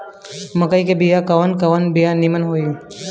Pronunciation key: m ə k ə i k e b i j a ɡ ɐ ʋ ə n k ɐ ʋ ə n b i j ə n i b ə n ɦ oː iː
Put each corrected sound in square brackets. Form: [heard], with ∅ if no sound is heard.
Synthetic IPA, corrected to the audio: m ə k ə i k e b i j a [k] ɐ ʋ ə n k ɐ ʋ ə n b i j [a] n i [m] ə n ɦ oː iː

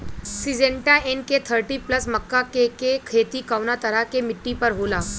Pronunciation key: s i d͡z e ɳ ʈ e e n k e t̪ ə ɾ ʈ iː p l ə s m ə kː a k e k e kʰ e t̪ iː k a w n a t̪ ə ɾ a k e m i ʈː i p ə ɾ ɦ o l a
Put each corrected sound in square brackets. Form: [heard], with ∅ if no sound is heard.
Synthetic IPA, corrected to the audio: s i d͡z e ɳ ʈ [a] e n k e [t̪ʰ] ə ɾ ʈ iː p l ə s m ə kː a k e k e kʰ e t̪ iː k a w n a t̪ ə ɾ a k e m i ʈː i p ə ɾ ɦ o l a

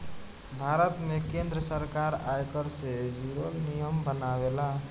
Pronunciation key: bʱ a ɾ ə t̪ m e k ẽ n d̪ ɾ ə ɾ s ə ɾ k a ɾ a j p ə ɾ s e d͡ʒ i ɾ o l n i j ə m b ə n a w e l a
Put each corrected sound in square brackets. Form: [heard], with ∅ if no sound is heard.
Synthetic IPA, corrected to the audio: bʱ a ɾ ə t̪ m e k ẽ n d̪ ɾ ə [∅] s ə ɾ k a ɾ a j [k] ə ɾ s e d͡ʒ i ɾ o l n i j ə m b ə n a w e l a

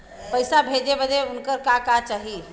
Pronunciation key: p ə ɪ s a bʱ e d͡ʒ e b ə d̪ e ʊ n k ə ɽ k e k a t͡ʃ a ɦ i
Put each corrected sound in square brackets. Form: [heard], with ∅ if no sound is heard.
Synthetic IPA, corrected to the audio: p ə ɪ s a bʱ e d͡ʒ e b ə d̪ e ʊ n k ə [ɾ] k [a] k a t͡ʃ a ɦ i

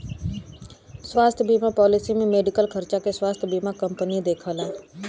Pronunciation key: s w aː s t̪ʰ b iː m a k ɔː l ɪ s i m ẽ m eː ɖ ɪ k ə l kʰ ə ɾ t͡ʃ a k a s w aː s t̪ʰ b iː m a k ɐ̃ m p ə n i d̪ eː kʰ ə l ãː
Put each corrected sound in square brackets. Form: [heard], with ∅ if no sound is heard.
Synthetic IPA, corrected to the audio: s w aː s t̪ʰ b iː m a [p] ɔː l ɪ s i m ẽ m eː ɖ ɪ k ə l kʰ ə ɾ t͡ʃ a k [e] s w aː s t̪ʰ b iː m a k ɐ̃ m p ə n i d̪ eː kʰ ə l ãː

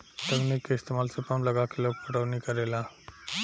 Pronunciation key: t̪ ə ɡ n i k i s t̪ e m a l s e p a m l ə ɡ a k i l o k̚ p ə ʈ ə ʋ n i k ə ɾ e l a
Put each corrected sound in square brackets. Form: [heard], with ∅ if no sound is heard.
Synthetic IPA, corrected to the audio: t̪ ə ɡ n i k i s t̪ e m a l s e p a m l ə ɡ a k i l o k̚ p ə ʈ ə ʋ n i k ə ɾ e l a

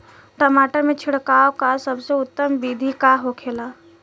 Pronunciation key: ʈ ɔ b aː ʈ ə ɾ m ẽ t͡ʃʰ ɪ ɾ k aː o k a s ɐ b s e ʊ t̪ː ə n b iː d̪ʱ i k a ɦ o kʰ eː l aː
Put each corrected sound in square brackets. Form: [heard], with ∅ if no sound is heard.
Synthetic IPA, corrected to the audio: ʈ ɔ [m] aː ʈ ə ɾ m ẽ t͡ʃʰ ɪ [ɽ] k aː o k a s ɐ b s e ʊ t̪ː ə [m] b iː d̪ʱ i k a ɦ o kʰ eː l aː

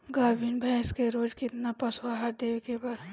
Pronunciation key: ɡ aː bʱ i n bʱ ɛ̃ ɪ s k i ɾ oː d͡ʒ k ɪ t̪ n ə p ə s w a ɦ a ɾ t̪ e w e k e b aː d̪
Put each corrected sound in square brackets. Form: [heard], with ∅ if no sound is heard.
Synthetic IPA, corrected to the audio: ɡ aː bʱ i n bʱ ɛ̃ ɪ s k [e] ɾ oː d͡ʒ k ɪ t̪ n [a] p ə s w a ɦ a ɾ [d̪] e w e k e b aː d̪

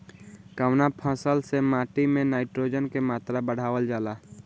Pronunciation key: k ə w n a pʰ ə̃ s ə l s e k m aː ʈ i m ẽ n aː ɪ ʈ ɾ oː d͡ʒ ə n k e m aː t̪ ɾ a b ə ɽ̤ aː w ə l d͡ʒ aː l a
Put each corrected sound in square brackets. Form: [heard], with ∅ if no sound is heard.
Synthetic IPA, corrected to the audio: k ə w n a pʰ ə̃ s ə l s e [∅] m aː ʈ i m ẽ n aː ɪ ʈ ɾ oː d͡ʒ ə n k e m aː t̪ ɾ a b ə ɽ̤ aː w ə l d͡ʒ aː l a

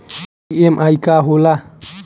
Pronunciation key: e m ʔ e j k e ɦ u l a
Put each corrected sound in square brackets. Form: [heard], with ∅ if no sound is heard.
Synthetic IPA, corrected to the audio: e m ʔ [a] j k [a] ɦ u l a

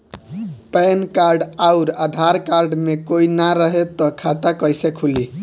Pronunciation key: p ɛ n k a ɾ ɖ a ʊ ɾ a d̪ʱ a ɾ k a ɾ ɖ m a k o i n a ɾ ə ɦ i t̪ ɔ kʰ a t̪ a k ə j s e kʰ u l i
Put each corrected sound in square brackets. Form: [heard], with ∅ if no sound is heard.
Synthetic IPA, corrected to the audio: p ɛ n k a ɾ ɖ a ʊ ɾ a d̪ʱ a ɾ k a ɾ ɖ m [e] k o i n a ɾ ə ɦ [e] t̪ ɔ kʰ a t̪ a k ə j s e kʰ u l i

